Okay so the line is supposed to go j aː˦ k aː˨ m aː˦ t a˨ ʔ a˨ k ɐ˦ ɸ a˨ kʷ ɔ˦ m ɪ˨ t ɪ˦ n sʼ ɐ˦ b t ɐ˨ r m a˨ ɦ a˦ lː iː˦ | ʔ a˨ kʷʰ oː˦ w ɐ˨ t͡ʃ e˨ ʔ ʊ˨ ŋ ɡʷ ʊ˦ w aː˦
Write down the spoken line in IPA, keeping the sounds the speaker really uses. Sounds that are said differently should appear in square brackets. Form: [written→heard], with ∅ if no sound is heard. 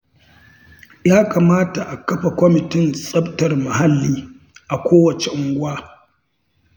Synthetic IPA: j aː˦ k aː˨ m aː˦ t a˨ ʔ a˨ k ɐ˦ ɸ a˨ kʷ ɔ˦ m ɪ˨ t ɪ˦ n sʼ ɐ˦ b t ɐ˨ r m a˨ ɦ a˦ lː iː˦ | ʔ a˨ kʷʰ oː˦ w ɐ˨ t͡ʃ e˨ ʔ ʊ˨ ŋ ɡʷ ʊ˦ w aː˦